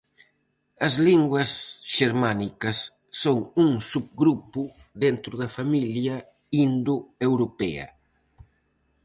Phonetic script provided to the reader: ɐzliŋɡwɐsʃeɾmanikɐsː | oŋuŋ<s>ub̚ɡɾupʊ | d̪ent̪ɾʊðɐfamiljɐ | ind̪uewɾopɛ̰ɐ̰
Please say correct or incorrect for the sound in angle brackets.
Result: correct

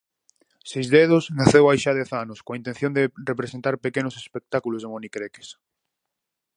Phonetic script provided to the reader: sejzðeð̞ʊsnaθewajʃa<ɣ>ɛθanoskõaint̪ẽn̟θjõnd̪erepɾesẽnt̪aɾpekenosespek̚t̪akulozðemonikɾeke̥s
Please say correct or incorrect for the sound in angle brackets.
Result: incorrect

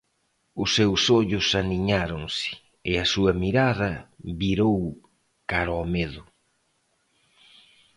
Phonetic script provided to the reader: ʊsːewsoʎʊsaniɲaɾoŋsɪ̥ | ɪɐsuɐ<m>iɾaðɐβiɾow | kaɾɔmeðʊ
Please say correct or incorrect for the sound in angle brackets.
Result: correct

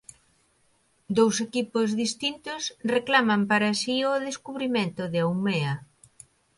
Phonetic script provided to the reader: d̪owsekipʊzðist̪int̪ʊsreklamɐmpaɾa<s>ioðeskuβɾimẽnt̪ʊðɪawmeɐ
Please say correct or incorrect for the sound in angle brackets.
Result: correct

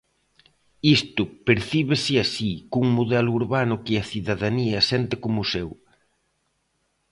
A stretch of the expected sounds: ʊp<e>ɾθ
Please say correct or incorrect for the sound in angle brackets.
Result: correct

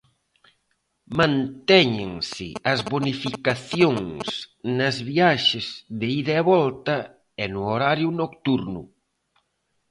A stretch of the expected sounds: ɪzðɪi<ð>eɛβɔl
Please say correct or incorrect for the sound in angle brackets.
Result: correct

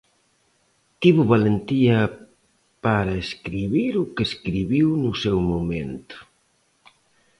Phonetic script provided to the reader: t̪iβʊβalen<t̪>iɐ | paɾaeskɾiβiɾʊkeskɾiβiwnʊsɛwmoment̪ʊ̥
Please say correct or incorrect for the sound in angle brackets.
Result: correct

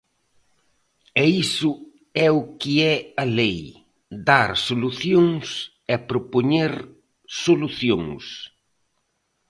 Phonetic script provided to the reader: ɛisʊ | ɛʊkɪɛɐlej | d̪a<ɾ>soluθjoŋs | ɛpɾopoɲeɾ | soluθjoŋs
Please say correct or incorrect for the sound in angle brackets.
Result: correct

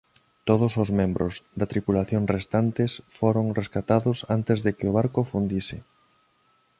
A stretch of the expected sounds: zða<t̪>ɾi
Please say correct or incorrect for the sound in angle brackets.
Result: correct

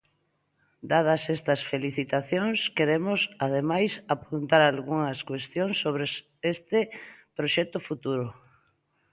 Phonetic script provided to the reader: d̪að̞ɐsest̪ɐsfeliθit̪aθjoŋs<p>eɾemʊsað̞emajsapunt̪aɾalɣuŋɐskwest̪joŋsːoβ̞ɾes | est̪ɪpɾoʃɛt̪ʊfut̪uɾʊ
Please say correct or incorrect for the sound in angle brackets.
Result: incorrect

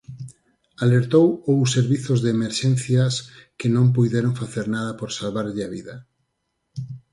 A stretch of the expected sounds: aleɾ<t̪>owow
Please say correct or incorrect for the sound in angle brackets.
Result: correct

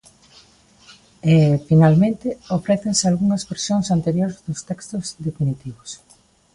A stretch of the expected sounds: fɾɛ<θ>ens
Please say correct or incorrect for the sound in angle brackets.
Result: correct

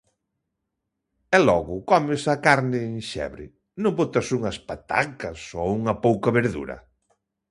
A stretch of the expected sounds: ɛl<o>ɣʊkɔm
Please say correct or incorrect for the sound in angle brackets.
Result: incorrect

